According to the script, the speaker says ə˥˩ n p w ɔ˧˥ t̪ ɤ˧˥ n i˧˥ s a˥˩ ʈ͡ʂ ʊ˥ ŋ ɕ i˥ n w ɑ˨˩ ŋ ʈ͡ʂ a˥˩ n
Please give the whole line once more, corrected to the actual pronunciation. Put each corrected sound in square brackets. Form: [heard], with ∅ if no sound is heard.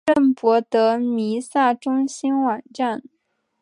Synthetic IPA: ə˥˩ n p w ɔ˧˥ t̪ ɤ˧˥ [m] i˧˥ s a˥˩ ʈ͡ʂ ʊ˥ ŋ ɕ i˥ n w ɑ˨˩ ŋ ʈ͡ʂ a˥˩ n